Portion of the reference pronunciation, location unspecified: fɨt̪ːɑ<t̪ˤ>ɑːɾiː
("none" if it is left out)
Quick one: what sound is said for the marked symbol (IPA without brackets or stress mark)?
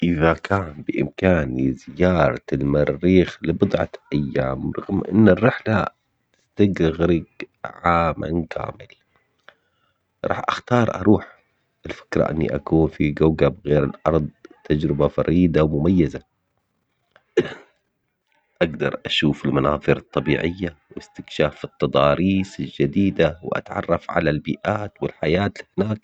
d̪ˤ